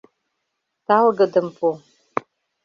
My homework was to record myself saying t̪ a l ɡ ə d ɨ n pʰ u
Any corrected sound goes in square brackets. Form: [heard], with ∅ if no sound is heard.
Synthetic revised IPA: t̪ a l ɡ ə d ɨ [m] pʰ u